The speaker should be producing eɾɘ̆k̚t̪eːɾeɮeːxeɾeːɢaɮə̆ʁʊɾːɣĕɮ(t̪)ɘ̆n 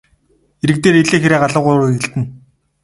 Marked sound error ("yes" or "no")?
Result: no